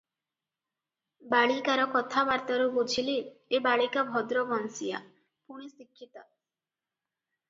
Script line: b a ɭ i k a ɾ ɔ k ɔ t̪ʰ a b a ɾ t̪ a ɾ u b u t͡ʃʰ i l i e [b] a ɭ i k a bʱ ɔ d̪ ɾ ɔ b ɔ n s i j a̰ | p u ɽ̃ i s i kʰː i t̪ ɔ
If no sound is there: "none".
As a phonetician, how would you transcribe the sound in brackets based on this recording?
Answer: b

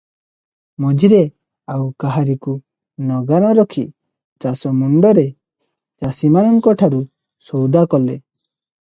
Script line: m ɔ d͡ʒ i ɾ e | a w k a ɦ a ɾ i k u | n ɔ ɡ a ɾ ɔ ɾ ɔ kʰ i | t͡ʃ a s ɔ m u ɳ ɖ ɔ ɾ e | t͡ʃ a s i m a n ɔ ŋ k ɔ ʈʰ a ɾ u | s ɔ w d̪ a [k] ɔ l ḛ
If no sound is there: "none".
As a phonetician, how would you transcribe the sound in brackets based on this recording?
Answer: k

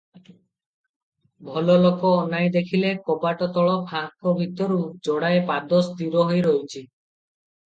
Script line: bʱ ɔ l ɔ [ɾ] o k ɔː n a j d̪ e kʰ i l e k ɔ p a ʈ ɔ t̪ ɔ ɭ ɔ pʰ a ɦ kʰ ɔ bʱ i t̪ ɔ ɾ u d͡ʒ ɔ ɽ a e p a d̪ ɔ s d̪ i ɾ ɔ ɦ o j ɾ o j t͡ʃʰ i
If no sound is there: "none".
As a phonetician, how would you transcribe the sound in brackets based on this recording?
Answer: l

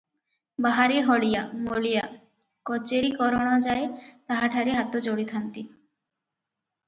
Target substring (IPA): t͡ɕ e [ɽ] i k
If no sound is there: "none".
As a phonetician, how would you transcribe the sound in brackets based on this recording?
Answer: ɾ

